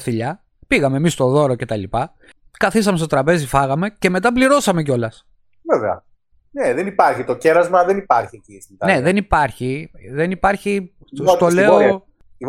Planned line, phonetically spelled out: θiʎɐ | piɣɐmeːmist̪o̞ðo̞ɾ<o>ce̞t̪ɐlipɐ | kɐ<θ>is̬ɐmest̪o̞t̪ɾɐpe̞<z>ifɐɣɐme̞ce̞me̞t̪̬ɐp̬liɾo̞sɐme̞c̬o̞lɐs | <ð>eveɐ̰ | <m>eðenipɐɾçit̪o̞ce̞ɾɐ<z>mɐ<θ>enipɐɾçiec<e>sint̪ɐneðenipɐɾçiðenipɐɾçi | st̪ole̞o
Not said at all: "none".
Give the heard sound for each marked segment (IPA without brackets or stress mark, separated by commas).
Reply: o, θ, z, v, n, z, ð, i